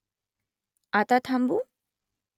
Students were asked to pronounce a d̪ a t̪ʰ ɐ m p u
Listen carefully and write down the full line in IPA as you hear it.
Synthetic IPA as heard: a t̪ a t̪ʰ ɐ m b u